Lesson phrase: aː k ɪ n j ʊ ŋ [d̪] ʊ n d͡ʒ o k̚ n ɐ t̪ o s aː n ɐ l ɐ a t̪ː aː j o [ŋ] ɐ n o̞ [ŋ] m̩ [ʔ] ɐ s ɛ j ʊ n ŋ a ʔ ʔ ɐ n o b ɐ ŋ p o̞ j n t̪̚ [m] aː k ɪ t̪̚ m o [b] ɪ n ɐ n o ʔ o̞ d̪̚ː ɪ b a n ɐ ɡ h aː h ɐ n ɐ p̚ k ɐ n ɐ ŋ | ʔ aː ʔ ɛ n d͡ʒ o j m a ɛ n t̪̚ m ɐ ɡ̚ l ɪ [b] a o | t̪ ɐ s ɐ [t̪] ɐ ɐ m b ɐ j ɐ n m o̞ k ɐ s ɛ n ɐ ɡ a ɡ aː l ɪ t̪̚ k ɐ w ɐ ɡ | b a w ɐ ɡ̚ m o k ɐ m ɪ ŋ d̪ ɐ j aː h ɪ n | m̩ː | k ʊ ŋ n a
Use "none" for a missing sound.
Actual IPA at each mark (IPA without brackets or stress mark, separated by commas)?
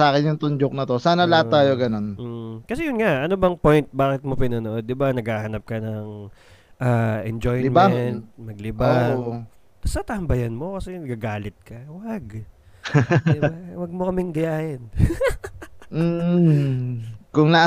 t̪, ɡ, n, k, b, p, b, t̪